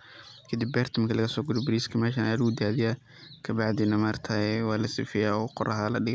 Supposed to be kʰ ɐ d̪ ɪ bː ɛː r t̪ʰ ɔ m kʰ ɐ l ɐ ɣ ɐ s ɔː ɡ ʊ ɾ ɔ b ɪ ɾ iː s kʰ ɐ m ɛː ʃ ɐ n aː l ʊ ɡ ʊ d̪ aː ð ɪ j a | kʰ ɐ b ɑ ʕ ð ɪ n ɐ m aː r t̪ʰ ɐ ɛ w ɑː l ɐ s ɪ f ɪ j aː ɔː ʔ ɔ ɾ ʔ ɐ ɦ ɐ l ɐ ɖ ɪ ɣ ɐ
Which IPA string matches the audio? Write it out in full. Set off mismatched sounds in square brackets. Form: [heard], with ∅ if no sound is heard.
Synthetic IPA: kʰ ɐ d̪ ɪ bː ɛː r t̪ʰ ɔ m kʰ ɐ l ɐ ɣ ɐ s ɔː ɡ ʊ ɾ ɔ b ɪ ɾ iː s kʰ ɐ m ɛː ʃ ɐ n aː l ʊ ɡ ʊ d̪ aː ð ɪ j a | kʰ ɐ b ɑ ʕ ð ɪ n ɐ m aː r t̪ʰ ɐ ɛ w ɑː l ɐ s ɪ f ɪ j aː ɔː [q] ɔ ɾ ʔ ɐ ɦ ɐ l ɐ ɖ ɪ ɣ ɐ